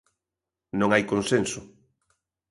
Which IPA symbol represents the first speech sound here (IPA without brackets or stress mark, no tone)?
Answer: n